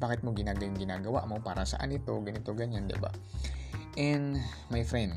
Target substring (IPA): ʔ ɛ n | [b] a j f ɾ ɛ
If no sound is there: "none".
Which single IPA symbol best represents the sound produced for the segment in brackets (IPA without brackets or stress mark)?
m